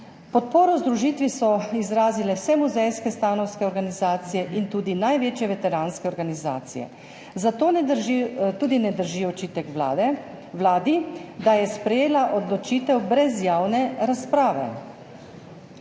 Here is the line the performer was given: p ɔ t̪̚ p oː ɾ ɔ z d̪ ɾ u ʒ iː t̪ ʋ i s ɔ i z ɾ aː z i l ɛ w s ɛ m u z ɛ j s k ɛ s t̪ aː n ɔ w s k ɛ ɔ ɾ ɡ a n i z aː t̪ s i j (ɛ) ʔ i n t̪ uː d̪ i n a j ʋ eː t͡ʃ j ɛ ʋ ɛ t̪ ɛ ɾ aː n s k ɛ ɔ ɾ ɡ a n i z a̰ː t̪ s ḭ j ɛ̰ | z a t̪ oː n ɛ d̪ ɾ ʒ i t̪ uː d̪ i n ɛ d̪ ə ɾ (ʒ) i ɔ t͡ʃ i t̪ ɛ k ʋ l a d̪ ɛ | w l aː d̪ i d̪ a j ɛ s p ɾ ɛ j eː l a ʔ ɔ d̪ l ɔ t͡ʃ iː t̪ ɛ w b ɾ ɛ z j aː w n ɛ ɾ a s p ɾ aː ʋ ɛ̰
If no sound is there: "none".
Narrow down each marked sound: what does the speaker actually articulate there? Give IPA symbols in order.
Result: ɛ, ʒ

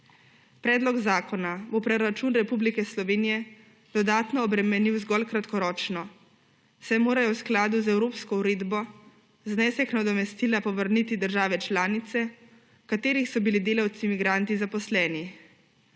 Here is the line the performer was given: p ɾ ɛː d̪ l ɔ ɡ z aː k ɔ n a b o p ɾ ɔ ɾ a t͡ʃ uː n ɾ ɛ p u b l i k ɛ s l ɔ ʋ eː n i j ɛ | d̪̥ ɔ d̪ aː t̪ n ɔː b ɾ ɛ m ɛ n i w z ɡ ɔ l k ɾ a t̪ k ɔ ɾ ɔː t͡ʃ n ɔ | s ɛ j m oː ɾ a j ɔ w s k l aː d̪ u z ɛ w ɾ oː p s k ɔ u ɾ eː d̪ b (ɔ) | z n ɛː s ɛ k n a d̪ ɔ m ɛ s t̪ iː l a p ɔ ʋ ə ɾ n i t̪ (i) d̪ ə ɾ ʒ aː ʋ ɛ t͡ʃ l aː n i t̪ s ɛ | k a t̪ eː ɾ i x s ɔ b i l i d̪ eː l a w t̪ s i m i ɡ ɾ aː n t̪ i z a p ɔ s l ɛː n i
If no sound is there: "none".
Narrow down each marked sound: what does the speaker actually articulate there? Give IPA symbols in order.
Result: ɔ, i

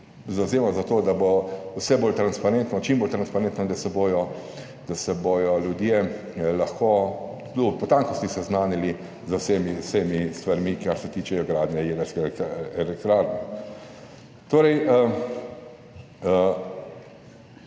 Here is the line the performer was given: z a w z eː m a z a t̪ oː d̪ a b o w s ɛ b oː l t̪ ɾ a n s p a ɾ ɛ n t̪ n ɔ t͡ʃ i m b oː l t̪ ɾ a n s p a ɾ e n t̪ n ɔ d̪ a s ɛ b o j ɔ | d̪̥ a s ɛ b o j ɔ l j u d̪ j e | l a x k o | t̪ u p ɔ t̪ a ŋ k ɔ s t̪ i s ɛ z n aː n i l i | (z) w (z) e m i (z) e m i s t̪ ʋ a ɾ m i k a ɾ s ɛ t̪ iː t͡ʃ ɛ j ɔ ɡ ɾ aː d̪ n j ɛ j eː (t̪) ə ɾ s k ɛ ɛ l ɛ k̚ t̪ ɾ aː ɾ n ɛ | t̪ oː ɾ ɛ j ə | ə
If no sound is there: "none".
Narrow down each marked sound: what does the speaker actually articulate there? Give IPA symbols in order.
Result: z, s, s, d̪

